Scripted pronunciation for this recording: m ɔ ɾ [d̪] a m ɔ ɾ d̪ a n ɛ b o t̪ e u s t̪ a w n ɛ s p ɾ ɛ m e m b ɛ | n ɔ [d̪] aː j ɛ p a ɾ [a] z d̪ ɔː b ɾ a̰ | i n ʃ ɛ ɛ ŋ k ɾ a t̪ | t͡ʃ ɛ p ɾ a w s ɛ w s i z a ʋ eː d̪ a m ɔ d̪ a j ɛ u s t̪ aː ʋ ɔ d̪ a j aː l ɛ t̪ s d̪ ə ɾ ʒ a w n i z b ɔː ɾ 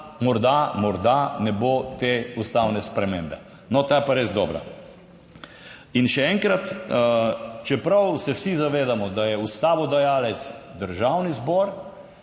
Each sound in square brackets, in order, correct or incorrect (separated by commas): correct, incorrect, incorrect